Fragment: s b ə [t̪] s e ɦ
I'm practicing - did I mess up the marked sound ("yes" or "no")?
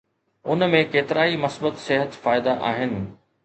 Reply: no